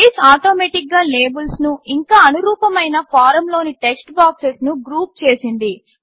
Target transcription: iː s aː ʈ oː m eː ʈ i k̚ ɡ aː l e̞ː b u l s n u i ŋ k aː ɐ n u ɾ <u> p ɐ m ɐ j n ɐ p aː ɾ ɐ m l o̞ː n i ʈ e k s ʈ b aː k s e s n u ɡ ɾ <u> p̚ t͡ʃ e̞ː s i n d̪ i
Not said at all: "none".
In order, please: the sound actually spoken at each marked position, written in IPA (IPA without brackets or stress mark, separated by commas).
uː, uː